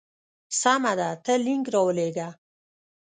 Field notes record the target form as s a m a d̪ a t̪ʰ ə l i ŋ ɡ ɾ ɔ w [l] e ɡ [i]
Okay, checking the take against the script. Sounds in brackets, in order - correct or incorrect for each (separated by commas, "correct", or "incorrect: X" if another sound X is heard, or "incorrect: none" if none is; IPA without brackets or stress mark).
correct, incorrect: a